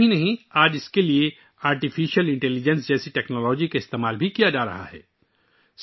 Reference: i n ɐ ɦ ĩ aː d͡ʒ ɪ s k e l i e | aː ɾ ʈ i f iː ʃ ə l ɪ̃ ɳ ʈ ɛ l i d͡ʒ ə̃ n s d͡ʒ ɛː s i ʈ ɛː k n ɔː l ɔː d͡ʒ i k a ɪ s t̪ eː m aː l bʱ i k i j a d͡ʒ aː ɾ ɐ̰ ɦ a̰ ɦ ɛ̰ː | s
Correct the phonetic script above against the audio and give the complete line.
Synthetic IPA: i n ɐ ɦ ĩ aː d͡ʒ ɪ s k e l i e | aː ɾ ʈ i f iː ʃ ə l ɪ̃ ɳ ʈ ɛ l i d͡ʒ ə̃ n s d͡ʒ ɛː s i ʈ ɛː k n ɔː l ɔː d͡ʒ i k a ɪ s t̪ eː m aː l bʱ i k i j a d͡ʒ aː ɾ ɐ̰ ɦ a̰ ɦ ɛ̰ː | s